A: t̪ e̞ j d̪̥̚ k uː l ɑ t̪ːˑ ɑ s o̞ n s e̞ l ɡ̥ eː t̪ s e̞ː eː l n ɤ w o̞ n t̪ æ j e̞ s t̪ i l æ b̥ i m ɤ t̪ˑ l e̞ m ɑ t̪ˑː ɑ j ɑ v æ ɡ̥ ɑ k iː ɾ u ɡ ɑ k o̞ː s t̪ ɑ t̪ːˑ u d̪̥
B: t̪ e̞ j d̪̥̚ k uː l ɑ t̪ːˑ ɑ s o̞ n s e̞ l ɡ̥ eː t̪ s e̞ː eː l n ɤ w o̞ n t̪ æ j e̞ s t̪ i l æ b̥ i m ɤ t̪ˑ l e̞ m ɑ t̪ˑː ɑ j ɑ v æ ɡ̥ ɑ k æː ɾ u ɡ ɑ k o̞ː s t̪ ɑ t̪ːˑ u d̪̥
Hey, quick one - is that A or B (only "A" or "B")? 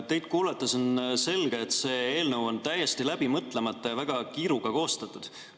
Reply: A